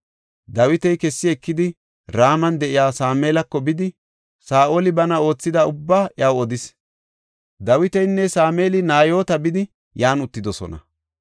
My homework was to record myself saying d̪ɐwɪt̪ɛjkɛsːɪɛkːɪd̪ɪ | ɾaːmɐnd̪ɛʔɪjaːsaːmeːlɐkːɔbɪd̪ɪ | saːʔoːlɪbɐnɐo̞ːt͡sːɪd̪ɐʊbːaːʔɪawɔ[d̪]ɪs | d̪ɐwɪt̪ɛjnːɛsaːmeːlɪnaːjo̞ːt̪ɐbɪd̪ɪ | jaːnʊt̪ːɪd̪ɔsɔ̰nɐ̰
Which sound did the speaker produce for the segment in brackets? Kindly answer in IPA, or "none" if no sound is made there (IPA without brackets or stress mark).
d̪